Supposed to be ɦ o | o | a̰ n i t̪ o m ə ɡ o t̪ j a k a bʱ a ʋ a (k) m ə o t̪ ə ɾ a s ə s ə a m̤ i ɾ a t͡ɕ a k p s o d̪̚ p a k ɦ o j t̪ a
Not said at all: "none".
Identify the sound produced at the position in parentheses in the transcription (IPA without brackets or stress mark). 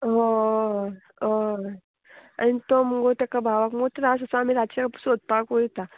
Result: k